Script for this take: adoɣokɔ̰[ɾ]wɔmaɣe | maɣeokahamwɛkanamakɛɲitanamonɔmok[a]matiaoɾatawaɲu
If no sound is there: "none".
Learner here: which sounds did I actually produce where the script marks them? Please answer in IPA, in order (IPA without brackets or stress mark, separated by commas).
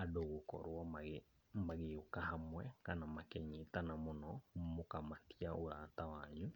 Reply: ɾ, a